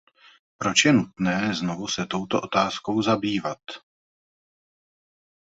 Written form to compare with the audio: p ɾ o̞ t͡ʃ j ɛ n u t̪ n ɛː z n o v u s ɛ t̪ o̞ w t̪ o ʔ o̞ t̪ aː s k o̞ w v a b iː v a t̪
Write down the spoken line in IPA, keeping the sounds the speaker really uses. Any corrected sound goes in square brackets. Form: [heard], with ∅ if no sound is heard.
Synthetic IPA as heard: p ɾ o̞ t͡ʃ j ɛ n u t̪ n ɛː z n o v u s ɛ t̪ o̞ w t̪ o ʔ o̞ t̪ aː s k o̞ w [z] a b iː v a t̪

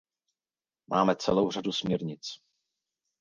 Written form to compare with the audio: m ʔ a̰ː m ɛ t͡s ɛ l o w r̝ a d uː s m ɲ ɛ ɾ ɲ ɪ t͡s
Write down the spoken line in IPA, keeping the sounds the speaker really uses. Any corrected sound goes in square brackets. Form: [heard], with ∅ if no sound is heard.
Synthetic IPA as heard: m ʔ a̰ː m ɛ t͡s ɛ l o w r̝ a d [u] s m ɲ ɛ ɾ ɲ ɪ t͡s

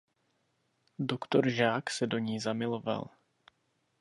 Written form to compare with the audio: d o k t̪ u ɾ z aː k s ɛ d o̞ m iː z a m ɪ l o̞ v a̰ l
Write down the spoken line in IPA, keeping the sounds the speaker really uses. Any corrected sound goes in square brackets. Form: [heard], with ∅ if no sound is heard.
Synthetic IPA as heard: d o k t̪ [o] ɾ [ʒ] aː k s ɛ d o̞ [ɲ] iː z a m ɪ l o̞ v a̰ l

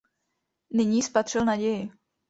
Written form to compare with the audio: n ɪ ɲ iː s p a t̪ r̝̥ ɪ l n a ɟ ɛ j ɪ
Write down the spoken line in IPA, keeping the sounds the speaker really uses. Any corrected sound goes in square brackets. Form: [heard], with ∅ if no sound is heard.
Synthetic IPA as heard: n ɪ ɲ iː s p a t̪ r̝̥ ɪ l n a ɟ ɛ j ɪ

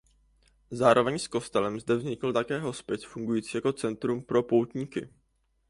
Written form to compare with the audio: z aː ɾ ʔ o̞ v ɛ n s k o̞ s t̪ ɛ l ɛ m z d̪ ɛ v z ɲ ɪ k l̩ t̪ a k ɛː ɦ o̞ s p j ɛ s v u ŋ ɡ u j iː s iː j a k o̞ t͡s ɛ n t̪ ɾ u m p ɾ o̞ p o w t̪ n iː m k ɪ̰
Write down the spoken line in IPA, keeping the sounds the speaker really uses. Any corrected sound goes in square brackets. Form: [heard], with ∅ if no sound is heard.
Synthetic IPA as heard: z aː ɾ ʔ o̞ v ɛ [ɲ] s k o̞ s t̪ ɛ l ɛ m z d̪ ɛ v z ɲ ɪ k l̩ t̪ a k ɛː ɦ o̞ s p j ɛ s [f] u ŋ ɡ u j iː [t͡s] iː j a k o̞ t͡s ɛ n t̪ ɾ u m p ɾ o̞ p o w t̪ [ɲ] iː [∅] k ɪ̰

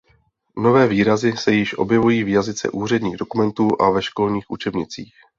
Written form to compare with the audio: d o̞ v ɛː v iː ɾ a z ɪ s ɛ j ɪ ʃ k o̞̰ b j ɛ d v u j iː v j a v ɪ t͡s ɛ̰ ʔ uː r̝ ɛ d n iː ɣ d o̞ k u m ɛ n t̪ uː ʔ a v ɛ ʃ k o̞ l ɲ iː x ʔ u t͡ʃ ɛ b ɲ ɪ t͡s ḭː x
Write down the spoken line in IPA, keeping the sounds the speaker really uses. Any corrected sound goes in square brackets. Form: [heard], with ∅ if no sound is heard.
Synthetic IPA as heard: [n] o̞ v ɛː v iː ɾ a z ɪ s ɛ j ɪ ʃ [ʔ] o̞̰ b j ɛ [∅] v u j iː v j a [z] ɪ t͡s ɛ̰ ʔ uː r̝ ɛ d [ɲ] iː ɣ d o̞ k u m ɛ n t̪ uː ʔ a v ɛ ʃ k o̞ l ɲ iː x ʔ u t͡ʃ ɛ b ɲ ɪ t͡s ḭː x

